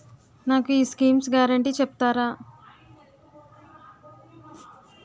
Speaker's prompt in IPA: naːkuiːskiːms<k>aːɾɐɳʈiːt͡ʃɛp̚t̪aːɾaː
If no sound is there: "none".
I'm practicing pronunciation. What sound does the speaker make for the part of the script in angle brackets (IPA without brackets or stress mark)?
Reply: ɡ